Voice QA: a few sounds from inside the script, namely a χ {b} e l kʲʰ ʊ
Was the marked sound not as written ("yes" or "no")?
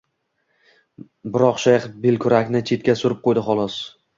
no